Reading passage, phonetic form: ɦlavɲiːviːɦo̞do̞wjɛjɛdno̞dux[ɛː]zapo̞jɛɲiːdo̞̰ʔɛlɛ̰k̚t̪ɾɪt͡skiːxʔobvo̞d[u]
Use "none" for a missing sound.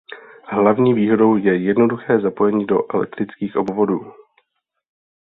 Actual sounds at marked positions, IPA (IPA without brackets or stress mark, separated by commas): ɛː, uː